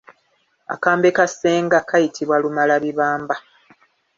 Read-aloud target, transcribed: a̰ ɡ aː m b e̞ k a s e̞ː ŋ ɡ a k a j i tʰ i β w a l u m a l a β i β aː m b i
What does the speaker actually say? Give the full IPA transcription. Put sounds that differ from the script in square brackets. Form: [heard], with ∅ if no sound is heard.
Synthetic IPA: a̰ [k] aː m b e̞ k a s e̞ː ŋ ɡ a k a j i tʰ i β w a l u m a l a β i β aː m b [a]